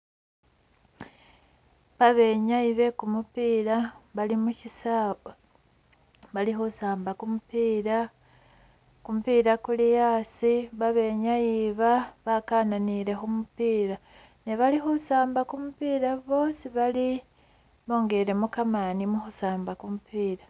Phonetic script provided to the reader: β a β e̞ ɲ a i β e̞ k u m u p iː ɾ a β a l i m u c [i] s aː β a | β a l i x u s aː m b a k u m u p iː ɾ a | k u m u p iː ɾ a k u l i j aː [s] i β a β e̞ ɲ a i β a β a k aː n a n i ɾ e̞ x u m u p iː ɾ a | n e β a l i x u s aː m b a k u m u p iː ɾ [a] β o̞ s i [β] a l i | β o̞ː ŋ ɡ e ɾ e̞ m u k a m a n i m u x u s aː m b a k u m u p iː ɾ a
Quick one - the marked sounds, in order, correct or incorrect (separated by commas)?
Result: correct, correct, correct, correct